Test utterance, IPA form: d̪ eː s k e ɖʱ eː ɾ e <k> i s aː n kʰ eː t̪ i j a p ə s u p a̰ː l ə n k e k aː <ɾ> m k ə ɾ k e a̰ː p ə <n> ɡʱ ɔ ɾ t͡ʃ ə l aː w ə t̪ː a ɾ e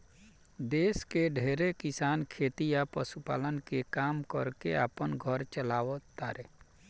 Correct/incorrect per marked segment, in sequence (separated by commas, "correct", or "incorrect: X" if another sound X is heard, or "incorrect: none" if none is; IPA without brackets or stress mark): correct, incorrect: none, correct